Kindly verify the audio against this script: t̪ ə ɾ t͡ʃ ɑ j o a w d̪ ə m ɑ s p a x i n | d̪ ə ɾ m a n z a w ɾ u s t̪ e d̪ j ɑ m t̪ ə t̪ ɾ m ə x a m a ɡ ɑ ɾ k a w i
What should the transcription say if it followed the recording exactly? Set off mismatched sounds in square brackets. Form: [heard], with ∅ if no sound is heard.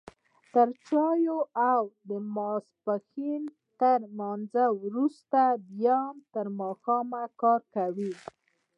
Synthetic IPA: t̪ ə ɾ t͡ʃ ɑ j o a w d̪ ə m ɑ s p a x i n | [t̪] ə ɾ m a n z a w ɾ u s t̪ [a] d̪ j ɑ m t̪ ə [∅] ɾ m [ɑ] x [ɑ] m a [k] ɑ ɾ k a w i